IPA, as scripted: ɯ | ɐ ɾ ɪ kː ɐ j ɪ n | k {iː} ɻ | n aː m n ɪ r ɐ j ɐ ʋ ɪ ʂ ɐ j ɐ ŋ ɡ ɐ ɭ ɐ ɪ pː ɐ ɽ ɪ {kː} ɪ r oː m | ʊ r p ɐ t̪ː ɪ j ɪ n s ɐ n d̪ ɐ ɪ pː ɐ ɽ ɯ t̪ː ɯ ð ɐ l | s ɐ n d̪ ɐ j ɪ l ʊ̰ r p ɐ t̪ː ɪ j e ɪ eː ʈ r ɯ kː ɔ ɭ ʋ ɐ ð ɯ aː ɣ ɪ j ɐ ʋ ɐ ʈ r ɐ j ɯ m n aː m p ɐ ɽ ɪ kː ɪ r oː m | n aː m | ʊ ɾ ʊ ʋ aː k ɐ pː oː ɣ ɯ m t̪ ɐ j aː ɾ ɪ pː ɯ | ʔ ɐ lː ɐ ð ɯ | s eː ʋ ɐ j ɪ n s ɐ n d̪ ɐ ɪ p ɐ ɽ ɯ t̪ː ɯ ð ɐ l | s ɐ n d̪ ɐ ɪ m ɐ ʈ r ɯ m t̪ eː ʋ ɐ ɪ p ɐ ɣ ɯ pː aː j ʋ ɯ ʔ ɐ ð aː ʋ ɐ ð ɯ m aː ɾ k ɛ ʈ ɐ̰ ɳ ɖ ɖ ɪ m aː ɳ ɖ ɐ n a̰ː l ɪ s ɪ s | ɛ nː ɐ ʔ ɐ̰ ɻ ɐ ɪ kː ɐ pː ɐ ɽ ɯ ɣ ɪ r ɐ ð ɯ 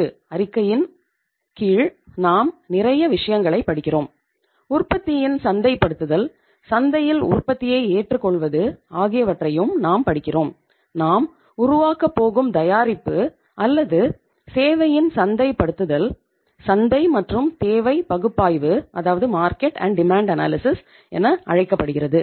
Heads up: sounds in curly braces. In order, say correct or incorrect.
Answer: correct, correct

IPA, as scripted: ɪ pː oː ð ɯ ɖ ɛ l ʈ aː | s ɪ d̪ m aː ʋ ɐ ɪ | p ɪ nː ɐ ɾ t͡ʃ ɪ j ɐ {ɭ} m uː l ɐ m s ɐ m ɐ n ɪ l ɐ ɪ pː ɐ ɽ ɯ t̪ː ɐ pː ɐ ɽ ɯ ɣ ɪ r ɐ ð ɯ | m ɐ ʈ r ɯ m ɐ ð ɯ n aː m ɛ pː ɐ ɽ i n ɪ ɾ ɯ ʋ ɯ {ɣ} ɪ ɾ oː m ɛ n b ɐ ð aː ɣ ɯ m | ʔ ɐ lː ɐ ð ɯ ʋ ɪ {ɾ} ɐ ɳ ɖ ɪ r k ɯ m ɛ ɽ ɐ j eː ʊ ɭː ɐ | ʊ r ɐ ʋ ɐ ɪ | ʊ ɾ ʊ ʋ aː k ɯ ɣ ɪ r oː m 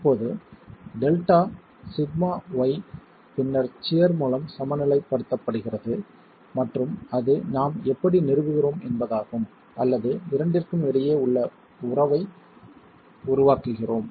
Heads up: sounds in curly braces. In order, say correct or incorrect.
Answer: incorrect, correct, correct

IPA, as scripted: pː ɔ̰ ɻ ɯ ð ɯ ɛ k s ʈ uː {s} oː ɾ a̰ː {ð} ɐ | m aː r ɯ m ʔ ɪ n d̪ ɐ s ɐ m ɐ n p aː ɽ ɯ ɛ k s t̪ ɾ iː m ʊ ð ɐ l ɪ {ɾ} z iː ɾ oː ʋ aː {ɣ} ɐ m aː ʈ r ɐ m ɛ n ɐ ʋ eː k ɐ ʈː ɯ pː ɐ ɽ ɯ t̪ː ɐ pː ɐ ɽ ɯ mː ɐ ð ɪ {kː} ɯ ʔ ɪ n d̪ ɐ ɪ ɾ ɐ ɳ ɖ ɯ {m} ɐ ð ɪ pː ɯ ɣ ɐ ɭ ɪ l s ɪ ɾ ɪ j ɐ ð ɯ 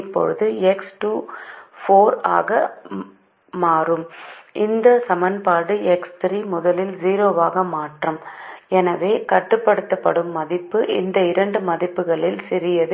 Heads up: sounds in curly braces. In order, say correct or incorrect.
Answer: incorrect, incorrect, incorrect, correct, incorrect, correct

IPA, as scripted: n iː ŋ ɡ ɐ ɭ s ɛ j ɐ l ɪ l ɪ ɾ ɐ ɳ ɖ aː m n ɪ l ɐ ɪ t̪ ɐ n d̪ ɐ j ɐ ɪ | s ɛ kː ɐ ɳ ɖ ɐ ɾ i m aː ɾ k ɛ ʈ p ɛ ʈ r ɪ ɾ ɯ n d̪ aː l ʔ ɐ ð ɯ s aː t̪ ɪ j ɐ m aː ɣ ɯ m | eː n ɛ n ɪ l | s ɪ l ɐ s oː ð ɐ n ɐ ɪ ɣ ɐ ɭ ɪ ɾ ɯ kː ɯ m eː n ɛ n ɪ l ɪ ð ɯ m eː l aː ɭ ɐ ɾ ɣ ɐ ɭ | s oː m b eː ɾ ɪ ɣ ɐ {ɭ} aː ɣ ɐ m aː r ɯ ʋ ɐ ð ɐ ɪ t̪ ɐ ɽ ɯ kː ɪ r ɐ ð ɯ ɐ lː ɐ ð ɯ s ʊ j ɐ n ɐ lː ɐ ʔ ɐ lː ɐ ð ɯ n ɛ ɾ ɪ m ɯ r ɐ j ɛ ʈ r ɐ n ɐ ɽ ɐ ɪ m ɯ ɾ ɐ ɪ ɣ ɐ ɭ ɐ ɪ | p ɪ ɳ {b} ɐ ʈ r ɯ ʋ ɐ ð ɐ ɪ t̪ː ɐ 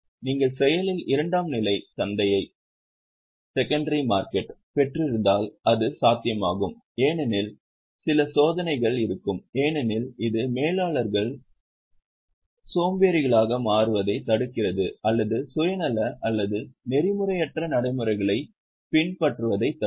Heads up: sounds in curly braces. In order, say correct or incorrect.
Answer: correct, incorrect

